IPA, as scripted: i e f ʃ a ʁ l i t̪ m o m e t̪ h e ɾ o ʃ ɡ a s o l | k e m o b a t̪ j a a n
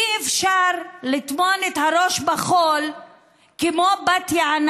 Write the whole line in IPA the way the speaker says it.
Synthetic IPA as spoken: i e f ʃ a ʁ l i t̪ m o n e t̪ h a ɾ o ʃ b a χ o l | k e m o b a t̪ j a a n